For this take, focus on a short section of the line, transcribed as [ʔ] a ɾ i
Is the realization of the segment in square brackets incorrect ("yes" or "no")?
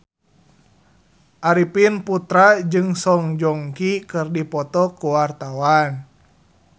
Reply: no